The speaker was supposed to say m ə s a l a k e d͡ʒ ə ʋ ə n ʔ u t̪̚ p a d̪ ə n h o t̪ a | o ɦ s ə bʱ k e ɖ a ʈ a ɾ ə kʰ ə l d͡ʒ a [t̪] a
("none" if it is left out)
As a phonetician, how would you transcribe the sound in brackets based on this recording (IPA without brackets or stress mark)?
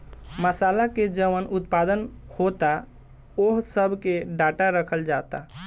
t̪